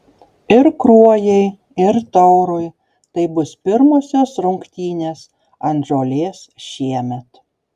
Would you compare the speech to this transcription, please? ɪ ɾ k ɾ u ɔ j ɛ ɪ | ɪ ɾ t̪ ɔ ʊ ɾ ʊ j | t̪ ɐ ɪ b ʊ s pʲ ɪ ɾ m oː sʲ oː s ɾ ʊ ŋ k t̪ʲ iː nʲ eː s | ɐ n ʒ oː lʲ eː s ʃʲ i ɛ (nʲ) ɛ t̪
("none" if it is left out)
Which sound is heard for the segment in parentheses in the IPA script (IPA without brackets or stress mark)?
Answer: mʲ